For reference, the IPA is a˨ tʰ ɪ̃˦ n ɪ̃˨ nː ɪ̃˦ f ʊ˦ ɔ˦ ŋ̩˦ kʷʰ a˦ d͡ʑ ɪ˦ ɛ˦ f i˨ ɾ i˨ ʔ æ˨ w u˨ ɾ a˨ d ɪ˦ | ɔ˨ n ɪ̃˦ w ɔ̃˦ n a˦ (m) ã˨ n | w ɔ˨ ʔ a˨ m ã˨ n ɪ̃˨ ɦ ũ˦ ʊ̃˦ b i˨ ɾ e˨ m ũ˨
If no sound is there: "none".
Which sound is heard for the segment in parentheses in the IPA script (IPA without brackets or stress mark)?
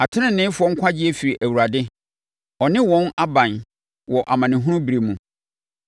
b